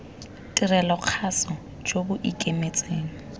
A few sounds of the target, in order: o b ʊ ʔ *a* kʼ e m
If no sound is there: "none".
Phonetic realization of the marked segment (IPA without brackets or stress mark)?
i